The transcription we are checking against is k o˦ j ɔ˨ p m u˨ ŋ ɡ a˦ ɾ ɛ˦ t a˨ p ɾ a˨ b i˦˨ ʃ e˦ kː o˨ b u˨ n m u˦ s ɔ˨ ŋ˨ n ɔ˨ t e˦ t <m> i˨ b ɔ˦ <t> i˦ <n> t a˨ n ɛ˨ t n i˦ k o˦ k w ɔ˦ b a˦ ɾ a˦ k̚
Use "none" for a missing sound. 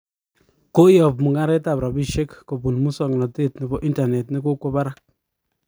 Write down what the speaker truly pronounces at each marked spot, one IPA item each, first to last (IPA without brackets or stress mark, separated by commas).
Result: n, ʔ, n